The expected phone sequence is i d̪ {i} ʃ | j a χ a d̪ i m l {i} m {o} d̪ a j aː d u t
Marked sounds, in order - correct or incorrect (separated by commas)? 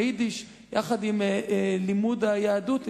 correct, correct, incorrect